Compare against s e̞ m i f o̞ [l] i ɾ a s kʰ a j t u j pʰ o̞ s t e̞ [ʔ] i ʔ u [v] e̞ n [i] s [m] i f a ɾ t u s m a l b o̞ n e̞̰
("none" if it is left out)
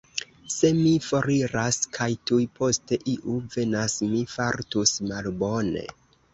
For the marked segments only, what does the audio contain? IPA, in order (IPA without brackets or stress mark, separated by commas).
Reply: ɾ, ʔ, v, a, m